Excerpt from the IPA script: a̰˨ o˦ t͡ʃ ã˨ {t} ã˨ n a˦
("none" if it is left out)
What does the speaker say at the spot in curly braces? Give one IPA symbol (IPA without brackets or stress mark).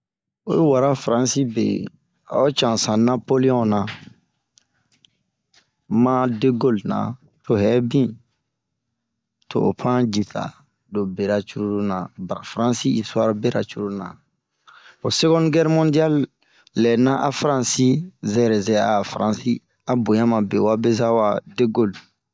s